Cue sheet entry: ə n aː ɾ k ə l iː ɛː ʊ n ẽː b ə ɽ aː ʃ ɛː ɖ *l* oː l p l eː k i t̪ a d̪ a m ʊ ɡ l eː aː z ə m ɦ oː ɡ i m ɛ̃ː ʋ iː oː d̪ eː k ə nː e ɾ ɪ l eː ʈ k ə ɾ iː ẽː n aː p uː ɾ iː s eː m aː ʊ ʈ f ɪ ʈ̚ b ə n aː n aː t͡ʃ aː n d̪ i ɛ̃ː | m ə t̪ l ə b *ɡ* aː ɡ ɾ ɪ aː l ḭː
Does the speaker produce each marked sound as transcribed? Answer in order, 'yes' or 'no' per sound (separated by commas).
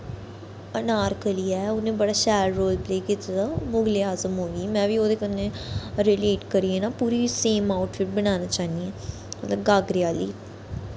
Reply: no, yes